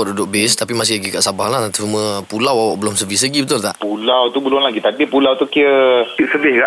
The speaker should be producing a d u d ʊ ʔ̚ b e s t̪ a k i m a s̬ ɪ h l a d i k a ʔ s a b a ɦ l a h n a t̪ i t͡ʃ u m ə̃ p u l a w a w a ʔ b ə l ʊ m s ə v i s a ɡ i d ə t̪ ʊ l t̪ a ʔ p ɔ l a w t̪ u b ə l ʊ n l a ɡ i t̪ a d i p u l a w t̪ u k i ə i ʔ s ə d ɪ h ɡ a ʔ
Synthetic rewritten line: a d u d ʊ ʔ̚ b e s t̪ a p i m a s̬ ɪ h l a ɡ i k a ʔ s a b a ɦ l a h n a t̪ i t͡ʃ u m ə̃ p u l a w a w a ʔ b ə l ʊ m s ə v i s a ɡ i b ə t̪ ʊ l t̪ a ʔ p u l a w t̪ u b ə l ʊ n l a ɡ i t̪ a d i p u l a w t̪ u k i ə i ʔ s ə b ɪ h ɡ a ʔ